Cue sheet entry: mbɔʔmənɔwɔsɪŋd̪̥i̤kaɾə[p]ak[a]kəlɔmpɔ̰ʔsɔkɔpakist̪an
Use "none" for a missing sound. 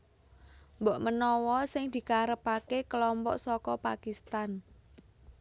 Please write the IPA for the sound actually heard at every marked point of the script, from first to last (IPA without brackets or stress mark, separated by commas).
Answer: p, e